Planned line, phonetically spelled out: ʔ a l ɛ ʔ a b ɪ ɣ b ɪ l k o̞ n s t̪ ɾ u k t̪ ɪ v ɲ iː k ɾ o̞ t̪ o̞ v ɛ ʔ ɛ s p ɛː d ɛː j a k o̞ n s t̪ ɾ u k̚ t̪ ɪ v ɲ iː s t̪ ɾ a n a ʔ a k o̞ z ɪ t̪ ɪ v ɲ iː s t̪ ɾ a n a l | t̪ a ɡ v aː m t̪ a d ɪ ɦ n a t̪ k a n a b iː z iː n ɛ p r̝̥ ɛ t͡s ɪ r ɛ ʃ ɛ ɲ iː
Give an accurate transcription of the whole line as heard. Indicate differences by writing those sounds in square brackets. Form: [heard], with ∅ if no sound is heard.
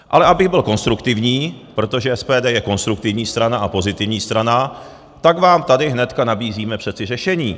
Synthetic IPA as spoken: ʔ a l ɛ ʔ a b ɪ ɣ b ɪ l k o̞ n s t̪ ɾ u k t̪ ɪ v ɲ iː [p] ɾ o̞ t̪ o̞ [ʒ] ɛ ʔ ɛ s p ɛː d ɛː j [ɛ] k o̞ n s t̪ ɾ u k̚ t̪ ɪ v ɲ iː s t̪ ɾ a n a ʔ a [p] o̞ z ɪ t̪ ɪ v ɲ iː s t̪ ɾ a n a [∅] | t̪ a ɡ v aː m t̪ a d ɪ ɦ n [ɛ] t̪ k a n a b iː z iː [m] ɛ p r̝̥ ɛ t͡s ɪ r ɛ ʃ ɛ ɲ iː